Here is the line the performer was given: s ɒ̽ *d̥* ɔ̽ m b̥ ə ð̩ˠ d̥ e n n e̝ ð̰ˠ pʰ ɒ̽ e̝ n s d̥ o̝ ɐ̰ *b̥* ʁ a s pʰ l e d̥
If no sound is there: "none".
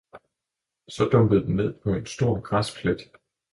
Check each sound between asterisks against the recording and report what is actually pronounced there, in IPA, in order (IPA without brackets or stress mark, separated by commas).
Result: d̥, ɡ̥